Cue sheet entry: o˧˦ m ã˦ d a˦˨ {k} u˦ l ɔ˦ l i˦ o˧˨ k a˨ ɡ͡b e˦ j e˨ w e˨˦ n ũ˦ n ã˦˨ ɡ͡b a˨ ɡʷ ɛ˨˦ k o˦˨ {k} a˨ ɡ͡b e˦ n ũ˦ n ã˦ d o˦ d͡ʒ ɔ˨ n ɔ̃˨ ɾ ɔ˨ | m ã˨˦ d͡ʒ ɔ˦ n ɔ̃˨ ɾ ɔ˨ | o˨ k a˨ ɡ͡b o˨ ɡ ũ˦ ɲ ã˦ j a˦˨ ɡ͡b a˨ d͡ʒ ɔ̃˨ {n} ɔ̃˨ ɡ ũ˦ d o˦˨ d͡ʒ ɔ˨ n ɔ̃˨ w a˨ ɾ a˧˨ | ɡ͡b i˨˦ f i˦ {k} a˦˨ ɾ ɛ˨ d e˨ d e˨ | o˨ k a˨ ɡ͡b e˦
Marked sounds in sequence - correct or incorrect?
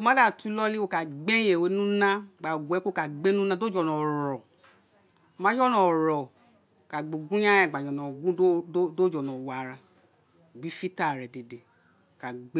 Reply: incorrect, correct, correct, incorrect

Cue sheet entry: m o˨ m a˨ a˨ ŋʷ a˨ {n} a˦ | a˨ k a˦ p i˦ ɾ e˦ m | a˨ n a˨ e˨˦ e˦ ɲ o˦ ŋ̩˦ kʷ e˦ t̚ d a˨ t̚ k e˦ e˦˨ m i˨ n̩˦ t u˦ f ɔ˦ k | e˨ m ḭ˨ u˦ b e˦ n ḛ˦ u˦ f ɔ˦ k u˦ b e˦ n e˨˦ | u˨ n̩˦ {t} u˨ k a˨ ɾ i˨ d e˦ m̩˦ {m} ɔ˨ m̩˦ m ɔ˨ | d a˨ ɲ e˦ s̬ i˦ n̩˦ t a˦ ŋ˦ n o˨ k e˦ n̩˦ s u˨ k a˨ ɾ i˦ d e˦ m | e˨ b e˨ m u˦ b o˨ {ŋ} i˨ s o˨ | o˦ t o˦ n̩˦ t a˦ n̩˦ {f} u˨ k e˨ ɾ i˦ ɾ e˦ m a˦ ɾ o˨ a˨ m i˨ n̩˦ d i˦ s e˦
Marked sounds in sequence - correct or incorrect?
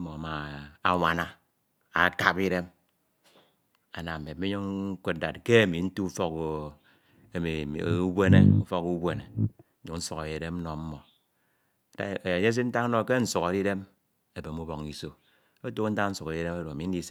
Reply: correct, incorrect, incorrect, correct, incorrect

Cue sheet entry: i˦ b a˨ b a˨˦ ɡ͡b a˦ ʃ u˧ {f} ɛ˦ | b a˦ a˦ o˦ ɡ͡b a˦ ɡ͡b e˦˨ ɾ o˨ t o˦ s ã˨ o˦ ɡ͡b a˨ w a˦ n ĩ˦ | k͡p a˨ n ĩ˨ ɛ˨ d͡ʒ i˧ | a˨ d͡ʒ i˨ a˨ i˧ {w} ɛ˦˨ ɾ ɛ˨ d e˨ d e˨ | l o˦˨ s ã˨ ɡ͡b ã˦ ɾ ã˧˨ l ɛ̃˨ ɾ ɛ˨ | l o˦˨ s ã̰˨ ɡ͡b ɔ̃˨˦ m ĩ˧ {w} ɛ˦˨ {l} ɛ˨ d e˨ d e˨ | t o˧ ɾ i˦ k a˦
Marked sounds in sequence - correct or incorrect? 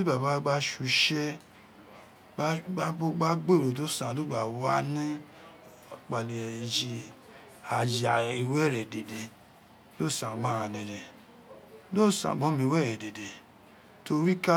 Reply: incorrect, correct, correct, incorrect

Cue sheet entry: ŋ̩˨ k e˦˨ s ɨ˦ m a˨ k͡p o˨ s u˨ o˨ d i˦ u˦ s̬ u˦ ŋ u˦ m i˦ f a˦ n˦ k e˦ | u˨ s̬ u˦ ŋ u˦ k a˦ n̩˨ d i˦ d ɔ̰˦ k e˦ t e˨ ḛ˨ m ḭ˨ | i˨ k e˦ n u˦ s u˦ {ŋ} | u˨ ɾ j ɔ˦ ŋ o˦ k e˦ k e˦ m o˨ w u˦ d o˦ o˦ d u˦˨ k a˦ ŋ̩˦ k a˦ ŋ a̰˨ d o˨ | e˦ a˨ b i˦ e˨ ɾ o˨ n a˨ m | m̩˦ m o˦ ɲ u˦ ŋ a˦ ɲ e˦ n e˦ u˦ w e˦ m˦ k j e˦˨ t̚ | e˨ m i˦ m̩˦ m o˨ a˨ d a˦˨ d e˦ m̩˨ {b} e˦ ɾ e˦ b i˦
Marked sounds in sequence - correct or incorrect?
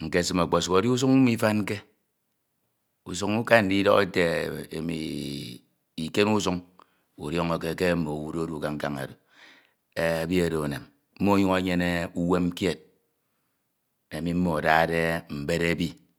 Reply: correct, correct

